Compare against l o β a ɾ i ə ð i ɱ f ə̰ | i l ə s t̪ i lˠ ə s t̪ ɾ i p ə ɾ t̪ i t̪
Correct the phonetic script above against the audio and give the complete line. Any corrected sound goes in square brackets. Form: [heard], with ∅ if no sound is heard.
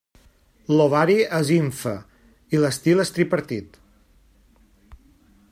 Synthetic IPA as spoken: l o β a ɾ i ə [z] i ɱ f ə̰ | i l ə s t̪ i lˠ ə s t̪ ɾ i p ə ɾ t̪ i t̪